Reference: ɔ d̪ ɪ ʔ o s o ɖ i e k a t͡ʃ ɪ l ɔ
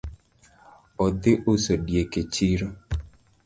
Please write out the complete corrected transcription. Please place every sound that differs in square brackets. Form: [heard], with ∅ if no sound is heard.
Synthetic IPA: ɔ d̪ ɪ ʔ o s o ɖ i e k [e] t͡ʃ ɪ [ɾ] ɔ